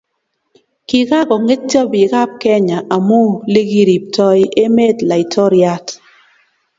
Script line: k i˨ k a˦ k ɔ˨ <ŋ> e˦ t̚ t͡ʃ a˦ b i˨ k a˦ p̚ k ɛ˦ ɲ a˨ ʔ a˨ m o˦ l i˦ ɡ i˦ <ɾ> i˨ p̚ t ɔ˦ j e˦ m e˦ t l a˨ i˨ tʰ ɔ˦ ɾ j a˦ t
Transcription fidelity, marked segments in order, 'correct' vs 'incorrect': correct, correct

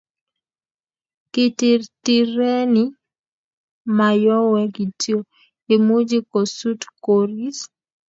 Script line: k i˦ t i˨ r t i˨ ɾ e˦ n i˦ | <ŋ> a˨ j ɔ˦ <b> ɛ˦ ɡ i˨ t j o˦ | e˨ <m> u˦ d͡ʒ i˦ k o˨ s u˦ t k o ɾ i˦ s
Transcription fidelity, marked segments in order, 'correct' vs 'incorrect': incorrect, incorrect, correct

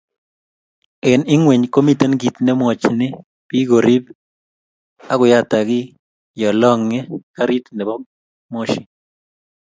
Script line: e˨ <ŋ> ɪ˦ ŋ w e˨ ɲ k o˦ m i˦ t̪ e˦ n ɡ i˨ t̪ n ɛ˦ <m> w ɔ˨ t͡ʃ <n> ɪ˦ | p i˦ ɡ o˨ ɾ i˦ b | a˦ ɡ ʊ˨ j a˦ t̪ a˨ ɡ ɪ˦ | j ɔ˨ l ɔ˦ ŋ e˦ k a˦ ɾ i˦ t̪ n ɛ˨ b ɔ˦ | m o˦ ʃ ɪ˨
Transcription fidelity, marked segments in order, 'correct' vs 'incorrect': incorrect, correct, correct

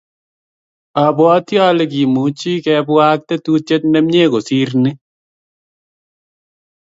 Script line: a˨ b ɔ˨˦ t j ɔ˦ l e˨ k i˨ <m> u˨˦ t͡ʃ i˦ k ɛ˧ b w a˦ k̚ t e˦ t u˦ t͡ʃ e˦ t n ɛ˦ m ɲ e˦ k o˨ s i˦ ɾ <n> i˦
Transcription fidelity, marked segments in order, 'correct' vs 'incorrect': correct, correct

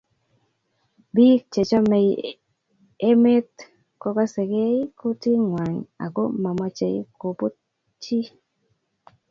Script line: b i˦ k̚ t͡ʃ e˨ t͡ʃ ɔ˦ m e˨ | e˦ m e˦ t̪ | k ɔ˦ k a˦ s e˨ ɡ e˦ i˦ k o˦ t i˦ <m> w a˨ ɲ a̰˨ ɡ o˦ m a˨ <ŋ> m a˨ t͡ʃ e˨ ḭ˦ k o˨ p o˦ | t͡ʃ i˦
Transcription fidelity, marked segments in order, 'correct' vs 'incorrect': incorrect, incorrect

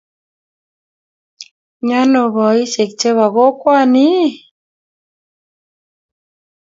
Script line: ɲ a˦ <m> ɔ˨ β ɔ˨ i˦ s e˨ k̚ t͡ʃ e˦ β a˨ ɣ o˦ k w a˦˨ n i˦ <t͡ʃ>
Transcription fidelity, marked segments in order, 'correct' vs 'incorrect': incorrect, incorrect

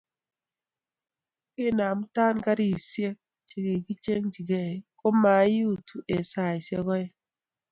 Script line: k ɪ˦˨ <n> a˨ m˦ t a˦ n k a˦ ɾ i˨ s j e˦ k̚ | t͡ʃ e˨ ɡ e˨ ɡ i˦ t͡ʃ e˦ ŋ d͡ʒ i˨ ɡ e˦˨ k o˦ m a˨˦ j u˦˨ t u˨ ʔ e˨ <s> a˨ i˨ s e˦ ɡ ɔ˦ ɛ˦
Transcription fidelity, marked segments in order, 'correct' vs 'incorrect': correct, correct

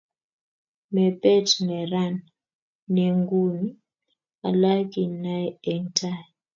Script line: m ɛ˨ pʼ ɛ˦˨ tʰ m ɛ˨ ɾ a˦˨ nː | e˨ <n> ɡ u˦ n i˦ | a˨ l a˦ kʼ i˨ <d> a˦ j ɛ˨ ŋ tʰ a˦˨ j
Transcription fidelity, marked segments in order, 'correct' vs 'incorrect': incorrect, incorrect

